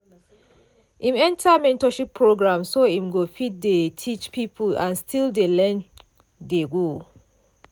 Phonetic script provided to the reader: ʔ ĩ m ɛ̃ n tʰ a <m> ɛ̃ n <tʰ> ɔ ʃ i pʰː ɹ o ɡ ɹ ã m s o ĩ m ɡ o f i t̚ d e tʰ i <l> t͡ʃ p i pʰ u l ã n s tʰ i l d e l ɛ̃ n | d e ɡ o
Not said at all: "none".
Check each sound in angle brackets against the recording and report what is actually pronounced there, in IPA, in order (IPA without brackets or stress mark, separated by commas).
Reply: m, t, none